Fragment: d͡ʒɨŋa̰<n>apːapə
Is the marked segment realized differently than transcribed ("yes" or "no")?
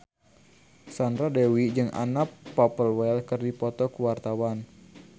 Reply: no